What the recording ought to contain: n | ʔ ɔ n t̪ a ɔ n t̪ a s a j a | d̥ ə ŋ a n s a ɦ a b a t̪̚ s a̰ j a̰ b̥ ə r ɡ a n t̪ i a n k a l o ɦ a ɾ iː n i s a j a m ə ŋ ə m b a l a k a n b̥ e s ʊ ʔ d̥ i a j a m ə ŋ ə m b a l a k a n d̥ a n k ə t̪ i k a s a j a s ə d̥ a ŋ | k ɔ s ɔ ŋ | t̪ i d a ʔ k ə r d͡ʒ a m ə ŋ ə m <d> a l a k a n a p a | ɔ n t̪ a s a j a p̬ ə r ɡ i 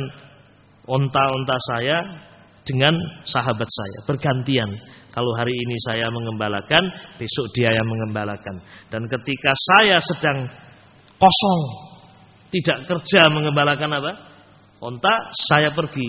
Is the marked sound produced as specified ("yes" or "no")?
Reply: no